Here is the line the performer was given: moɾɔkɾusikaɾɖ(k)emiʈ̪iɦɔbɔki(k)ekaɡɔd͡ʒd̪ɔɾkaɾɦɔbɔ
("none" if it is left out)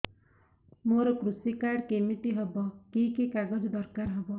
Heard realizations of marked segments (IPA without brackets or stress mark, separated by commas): k, k